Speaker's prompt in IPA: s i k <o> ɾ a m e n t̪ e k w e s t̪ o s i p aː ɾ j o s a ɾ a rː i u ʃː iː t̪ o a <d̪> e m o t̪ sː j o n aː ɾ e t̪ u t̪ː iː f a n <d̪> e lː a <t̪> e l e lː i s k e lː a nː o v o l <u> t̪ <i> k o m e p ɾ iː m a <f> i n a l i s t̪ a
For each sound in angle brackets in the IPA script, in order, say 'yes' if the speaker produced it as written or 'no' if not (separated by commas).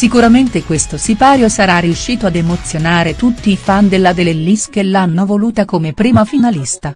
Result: no, yes, yes, no, no, no, yes